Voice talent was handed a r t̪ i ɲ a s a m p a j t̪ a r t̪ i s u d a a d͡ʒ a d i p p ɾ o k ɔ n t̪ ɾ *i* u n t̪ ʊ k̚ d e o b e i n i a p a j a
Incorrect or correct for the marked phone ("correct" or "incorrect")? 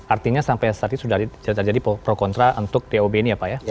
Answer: incorrect